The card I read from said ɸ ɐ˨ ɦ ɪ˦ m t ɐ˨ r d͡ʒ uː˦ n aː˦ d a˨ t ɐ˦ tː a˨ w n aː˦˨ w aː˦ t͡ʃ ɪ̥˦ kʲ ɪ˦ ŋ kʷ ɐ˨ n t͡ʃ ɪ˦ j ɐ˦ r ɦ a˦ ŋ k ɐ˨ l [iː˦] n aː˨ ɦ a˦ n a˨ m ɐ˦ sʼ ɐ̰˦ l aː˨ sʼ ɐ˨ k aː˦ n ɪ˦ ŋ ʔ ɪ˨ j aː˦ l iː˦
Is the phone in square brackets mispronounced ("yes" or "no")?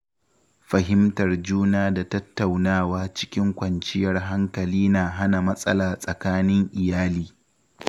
no